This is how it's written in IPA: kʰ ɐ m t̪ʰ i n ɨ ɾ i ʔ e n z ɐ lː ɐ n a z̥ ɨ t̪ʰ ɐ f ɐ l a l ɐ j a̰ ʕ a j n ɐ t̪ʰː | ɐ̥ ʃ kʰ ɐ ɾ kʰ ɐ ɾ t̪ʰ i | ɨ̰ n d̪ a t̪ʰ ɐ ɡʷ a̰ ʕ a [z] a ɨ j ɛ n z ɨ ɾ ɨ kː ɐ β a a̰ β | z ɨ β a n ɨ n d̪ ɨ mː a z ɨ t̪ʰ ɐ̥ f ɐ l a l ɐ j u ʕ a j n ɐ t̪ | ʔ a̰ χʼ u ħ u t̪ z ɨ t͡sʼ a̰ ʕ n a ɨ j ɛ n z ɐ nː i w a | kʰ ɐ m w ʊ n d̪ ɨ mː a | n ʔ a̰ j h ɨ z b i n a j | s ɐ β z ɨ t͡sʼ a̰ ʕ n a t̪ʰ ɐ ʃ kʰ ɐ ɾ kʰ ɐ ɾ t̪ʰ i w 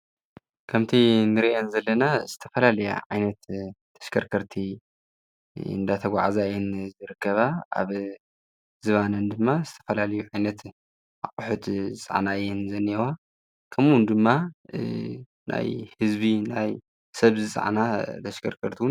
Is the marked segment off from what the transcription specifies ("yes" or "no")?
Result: no